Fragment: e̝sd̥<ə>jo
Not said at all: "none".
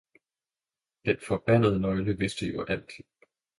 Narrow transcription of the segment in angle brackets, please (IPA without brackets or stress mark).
ə